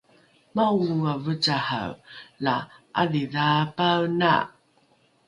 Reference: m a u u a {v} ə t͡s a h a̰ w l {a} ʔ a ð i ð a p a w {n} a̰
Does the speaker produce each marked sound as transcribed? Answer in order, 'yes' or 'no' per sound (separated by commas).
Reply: yes, yes, yes